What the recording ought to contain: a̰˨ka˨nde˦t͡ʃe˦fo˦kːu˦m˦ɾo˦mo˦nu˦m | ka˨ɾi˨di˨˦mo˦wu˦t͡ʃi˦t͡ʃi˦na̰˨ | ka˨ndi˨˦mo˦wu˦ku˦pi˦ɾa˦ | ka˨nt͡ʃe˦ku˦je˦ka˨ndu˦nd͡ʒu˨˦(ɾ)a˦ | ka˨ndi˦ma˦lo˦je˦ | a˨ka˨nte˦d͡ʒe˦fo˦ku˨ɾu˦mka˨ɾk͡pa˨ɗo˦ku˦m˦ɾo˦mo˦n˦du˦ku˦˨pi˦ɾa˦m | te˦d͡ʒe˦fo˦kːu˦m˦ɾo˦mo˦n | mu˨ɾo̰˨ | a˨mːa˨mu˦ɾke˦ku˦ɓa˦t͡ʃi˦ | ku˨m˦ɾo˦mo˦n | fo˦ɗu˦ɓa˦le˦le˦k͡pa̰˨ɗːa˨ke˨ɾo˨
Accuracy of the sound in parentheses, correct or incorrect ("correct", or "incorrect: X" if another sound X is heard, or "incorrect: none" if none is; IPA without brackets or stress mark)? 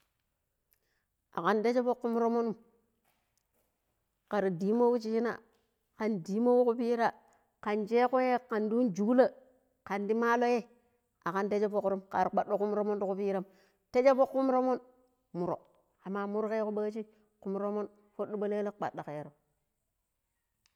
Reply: incorrect: l